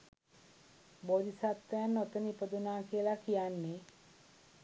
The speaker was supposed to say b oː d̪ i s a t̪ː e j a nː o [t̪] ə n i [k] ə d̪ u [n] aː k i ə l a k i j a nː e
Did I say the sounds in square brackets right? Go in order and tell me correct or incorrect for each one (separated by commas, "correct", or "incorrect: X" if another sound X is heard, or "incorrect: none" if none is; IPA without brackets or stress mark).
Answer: correct, incorrect: p, correct